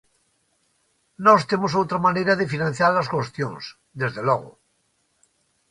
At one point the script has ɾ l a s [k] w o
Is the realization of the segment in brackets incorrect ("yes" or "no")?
no